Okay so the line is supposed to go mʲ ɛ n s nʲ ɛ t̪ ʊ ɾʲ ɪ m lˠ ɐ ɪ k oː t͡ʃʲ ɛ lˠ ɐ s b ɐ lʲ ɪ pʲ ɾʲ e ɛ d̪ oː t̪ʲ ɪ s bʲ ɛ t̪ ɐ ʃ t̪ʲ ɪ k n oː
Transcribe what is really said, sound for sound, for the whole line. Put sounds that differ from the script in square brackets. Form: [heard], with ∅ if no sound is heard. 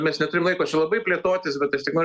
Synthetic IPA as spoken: mʲ ɛ [∅] s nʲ ɛ t̪ ʊ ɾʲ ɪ m lˠ ɐ ɪ k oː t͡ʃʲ ɛ lˠ ɐ [∅] b ɐ [∅] ɪ pʲ [lʲ] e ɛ [t̪] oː t̪ʲ ɪ s bʲ ɛ t̪ ɐ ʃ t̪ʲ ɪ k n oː